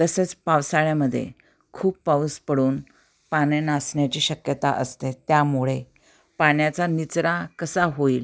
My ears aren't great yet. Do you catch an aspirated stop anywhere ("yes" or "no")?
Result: yes